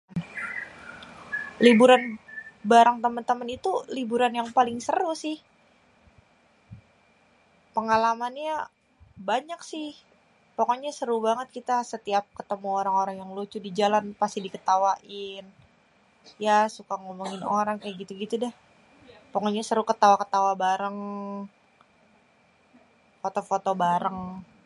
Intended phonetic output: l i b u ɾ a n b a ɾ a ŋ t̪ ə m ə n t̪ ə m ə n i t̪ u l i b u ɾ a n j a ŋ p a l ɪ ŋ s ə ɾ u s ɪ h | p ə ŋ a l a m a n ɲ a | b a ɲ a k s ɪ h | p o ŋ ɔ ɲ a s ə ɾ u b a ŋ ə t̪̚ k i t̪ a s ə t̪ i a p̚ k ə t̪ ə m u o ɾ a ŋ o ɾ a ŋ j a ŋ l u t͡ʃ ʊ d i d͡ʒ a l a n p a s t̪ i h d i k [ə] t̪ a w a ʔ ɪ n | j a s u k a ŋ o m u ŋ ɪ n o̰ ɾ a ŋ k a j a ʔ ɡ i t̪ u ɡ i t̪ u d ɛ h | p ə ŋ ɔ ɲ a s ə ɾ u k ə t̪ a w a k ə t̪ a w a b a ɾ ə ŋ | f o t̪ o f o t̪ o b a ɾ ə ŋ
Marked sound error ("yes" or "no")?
no